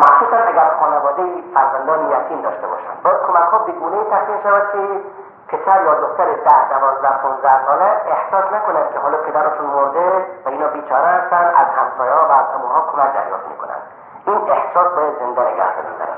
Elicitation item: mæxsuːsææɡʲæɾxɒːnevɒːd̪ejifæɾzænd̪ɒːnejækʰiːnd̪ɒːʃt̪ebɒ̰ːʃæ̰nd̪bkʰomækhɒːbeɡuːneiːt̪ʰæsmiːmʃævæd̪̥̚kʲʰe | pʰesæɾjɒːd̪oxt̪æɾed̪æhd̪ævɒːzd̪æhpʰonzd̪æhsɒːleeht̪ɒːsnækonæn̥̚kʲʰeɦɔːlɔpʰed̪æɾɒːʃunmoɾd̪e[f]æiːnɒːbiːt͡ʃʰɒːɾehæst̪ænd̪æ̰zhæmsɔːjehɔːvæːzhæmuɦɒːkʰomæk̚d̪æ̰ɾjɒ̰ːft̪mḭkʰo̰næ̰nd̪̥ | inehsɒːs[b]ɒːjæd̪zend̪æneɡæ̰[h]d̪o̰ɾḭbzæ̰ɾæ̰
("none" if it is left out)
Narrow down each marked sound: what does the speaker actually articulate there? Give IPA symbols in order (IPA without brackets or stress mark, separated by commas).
v, b, h